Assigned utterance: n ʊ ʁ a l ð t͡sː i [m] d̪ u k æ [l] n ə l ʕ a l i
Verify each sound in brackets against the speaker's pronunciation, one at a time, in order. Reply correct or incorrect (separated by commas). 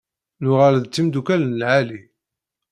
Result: correct, correct